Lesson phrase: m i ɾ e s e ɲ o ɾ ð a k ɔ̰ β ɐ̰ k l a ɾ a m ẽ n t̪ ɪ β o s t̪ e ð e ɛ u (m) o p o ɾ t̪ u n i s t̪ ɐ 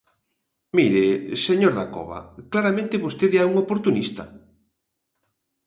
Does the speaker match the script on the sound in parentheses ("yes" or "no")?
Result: no